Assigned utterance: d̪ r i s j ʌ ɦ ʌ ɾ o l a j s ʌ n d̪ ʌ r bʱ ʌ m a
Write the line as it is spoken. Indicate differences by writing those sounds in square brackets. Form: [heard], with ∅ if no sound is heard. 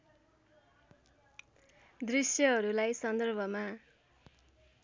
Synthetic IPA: d̪ r i s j ʌ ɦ ʌ ɾ [u] l a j s ʌ n d̪ ʌ r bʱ ʌ m a